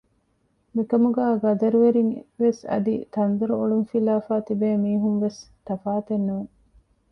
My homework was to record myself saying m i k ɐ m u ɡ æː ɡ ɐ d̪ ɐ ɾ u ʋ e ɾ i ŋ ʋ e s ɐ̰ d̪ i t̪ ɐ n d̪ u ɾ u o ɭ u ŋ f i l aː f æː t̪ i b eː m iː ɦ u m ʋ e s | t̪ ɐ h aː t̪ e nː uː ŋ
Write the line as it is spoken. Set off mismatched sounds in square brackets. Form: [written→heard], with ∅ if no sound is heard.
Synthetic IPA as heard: m i k ɐ m u ɡ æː ɡ ɐ d̪ ɐ ɾ u ʋ e ɾ i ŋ ʋ e s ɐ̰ d̪ i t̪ ɐ n d̪ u ɾ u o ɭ u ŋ f i l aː f [æː→aː] t̪ i b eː m iː ɦ u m ʋ e s | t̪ ɐ [h→f] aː t̪ e nː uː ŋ